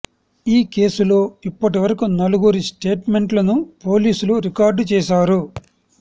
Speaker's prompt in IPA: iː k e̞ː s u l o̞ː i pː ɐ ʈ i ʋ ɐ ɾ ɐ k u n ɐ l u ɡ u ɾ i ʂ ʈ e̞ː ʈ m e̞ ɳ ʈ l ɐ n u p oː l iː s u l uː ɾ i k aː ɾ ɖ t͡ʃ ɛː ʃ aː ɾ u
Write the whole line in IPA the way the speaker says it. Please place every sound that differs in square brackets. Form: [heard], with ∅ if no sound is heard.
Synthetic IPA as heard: iː k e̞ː s u l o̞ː i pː ɐ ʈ i ʋ ɐ ɾ ɐ k u n ɐ l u ɡ u ɾ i [s] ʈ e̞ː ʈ m e̞ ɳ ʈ l ɐ n u p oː l iː s u l [u] ɾ i k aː ɾ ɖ t͡ʃ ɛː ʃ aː ɾ u